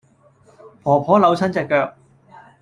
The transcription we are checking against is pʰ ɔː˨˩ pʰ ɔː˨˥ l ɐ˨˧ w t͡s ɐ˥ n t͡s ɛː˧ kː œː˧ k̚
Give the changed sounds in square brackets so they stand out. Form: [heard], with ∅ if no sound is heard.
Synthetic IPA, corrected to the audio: pʰ ɔː˨˩ pʰ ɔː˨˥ l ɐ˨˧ w [t͡sʰ] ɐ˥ n t͡s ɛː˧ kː œː˧ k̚